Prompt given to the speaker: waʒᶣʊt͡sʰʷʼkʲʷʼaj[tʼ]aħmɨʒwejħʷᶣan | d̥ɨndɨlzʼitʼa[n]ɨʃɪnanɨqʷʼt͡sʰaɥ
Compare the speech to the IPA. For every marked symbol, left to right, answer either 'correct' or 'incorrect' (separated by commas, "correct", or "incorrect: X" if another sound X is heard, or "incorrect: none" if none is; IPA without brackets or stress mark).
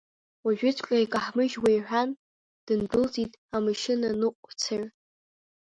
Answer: incorrect: kʼ, incorrect: m